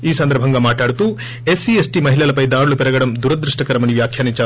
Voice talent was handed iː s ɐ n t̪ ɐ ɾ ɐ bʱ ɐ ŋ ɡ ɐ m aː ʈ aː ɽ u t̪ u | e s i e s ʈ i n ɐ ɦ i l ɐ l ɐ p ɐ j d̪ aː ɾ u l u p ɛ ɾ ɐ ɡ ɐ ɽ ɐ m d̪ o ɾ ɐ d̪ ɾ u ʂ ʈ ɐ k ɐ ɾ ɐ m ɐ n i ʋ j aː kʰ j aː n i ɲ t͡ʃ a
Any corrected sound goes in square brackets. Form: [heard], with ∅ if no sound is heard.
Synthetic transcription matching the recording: iː s ɐ n [d̪] ɐ ɾ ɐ bʱ ɐ ŋ ɡ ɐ m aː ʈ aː ɽ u t̪ u | e s i e s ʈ i [m] ɐ ɦ i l ɐ l ɐ p ɐ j d̪ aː ɾ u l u p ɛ ɾ ɐ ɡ ɐ ɽ ɐ m d̪ [u] ɾ ɐ d̪ ɾ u ʂ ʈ ɐ k ɐ ɾ ɐ m ɐ n i ʋ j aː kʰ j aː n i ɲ t͡ʃ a

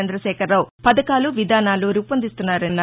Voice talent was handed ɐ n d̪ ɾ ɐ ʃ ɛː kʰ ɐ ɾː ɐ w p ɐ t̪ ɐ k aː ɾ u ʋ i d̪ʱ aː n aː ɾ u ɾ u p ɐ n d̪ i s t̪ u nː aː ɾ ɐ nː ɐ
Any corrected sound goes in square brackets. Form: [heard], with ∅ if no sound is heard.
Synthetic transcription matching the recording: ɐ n d̪ ɾ ɐ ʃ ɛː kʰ ɐ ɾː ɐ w p ɐ [d̪] ɐ k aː [l] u ʋ i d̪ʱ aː n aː [l] u ɾ u p ɐ n d̪ i s t̪ u nː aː ɾ ɐ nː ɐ

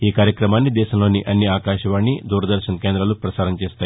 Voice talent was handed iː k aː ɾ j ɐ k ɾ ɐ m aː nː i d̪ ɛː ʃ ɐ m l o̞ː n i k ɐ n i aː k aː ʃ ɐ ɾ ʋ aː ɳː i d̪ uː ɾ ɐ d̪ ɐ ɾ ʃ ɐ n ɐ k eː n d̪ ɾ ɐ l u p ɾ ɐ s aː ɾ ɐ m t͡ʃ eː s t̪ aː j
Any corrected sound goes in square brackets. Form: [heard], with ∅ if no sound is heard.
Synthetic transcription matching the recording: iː k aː ɾ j ɐ k ɾ ɐ m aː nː i d̪ ɛː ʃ ɐ m l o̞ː n i [ʔ] ɐ [nː] i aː k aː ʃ ɐ [∅] ʋ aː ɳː i d̪ uː ɾ ɐ d̪ ɐ ɾ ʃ ɐ n ɐ k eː n d̪ ɾ ɐ l u p ɾ ɐ s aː ɾ ɐ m t͡ʃ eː s t̪ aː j

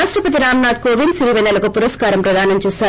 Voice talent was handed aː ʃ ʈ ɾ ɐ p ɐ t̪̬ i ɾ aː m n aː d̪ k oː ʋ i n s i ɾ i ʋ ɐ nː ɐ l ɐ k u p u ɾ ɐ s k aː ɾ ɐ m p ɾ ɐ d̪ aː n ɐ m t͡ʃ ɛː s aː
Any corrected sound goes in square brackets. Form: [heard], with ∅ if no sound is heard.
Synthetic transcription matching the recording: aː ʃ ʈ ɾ ɐ p ɐ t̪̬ i ɾ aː m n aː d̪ k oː ʋ i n s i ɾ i ʋ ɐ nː ɐ l ɐ k u p u ɾ ɐ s k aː ɾ ɐ m p ɾ ɐ d̪ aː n ɐ m t͡ʃ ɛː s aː

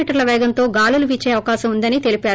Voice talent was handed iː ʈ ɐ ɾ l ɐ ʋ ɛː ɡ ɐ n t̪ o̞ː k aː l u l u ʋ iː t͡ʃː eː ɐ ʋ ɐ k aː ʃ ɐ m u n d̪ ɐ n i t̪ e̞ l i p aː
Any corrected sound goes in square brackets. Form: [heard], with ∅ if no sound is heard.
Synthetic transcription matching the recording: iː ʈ ɐ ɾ l ɐ ʋ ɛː ɡ ɐ n t̪ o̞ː [ɡ] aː l u l u ʋ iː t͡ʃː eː ɐ ʋ ɐ k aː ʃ ɐ m u n d̪ ɐ n i t̪ e̞ l i p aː

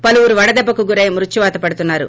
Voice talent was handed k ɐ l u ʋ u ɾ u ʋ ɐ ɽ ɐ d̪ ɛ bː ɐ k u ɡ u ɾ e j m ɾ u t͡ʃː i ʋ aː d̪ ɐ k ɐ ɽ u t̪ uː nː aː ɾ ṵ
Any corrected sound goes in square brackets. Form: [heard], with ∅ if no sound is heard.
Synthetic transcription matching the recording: [p] ɐ l u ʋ u ɾ u ʋ ɐ ɽ ɐ d̪ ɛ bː ɐ k u ɡ u ɾ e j m ɾ u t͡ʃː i ʋ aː [t̪] ɐ [p] ɐ ɽ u t̪ [u] nː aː ɾ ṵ

